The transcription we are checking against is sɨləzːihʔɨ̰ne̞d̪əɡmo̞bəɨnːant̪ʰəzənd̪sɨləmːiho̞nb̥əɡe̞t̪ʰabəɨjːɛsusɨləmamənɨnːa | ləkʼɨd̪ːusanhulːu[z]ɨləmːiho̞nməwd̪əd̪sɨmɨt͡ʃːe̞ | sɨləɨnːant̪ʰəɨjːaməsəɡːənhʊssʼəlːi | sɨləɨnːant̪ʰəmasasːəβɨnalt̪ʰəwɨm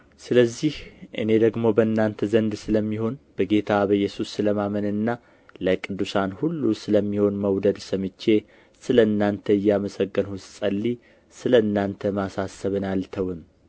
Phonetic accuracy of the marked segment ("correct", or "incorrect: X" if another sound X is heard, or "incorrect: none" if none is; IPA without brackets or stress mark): incorrect: s